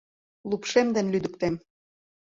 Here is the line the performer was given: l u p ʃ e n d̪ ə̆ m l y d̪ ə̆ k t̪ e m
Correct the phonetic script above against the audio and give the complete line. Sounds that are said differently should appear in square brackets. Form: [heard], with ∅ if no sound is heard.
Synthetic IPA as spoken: l u p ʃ e [m] d̪ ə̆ [n] l y d̪ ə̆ k t̪ e m